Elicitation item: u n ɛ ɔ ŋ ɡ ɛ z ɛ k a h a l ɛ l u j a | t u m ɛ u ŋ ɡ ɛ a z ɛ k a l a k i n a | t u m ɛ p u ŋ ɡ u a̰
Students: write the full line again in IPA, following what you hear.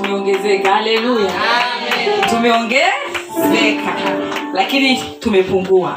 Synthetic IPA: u m ɛ ɔ ŋ ɡ ɛ z ɛ k a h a l ɛ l u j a | t u m ɛ ɔ ŋ ɡ ɛ a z ɛ k a l a k i n i | t u m ɛ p u ŋ ɡ u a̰